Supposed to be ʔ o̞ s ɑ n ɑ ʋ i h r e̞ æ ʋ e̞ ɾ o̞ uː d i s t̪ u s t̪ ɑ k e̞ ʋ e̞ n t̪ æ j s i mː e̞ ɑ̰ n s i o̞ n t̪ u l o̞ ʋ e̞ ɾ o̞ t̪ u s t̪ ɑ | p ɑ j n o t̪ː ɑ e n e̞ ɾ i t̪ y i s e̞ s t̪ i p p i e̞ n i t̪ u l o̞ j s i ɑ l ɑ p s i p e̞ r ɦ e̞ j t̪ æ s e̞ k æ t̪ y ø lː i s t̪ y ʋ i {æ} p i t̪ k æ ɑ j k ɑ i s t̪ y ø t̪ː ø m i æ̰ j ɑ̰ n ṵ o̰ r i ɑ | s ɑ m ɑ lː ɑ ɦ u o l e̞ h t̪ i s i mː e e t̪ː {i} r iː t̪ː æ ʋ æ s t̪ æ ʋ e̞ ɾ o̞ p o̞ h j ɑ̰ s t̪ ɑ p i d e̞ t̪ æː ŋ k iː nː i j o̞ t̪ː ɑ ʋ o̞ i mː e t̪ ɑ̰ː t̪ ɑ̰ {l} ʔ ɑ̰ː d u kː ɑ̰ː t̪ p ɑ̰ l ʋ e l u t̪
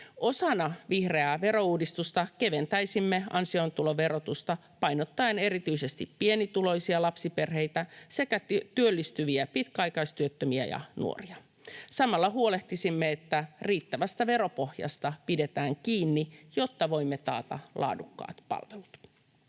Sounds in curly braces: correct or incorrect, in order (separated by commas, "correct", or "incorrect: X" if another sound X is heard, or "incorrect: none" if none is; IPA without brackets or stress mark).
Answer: correct, incorrect: æ, correct